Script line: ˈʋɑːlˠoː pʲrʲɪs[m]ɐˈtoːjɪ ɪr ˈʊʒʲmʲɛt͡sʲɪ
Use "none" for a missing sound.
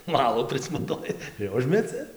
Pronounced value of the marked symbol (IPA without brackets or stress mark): m